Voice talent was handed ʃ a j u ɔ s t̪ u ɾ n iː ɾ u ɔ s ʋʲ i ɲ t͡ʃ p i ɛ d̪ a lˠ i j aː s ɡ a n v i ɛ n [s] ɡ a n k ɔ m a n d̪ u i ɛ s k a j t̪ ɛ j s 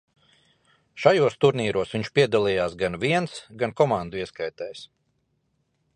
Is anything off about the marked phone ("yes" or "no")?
no